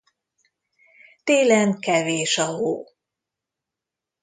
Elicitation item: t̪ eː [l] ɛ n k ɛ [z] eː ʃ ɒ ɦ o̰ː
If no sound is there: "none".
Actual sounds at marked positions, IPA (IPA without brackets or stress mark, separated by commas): l, v